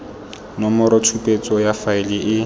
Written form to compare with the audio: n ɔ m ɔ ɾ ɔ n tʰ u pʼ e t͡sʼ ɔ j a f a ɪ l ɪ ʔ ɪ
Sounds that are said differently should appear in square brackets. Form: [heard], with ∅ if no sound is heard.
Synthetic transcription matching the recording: n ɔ m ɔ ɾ ɔ [∅] tʰ u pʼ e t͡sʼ ɔ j a f a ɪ l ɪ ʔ ɪ